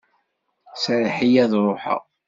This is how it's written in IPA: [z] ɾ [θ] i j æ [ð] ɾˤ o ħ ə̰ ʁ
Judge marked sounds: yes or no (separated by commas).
no, no, yes